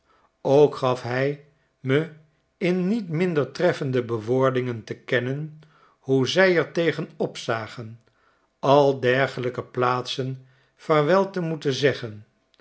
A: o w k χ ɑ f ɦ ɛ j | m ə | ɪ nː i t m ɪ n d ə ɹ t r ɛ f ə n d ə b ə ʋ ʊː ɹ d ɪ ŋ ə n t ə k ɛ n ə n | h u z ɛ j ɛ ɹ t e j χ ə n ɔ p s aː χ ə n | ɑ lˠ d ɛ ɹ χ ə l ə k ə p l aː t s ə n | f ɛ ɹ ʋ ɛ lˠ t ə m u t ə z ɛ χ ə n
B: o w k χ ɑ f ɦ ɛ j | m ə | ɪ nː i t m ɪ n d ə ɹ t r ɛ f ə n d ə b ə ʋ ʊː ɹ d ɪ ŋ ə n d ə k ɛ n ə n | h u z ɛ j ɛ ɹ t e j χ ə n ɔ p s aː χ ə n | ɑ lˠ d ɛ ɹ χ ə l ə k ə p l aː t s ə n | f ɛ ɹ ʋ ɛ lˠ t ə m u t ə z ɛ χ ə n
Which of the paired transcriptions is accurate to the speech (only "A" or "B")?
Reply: A